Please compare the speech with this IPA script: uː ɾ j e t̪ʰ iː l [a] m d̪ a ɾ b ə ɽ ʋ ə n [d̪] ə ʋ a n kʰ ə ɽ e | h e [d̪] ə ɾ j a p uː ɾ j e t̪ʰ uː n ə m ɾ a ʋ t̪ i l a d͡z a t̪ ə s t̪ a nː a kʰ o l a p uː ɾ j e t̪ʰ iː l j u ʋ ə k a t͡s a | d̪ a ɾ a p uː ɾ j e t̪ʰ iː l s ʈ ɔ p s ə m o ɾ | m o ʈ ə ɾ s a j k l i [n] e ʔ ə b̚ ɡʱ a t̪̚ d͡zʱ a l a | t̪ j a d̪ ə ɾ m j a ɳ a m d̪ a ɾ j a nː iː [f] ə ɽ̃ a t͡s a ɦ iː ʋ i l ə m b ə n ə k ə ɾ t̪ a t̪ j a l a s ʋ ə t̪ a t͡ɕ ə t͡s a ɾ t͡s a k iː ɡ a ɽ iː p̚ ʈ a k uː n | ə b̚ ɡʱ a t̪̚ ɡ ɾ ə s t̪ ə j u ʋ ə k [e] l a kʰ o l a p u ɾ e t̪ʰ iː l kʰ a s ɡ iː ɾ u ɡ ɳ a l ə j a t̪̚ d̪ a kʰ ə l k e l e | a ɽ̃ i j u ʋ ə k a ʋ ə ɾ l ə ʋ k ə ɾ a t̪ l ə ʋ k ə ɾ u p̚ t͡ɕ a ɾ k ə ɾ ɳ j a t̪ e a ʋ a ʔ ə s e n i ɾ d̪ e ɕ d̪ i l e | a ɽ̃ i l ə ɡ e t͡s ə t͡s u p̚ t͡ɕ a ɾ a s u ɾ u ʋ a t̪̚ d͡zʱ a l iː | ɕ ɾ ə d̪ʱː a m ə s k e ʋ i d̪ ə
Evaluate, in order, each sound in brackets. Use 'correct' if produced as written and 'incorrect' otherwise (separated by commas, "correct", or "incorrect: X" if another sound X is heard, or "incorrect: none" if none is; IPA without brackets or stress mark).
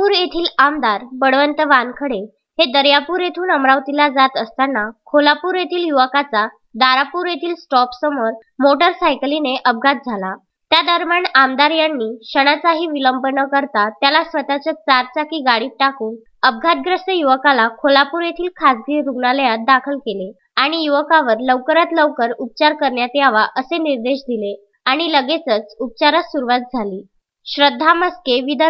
correct, incorrect: t̪, correct, correct, incorrect: ɕ, incorrect: a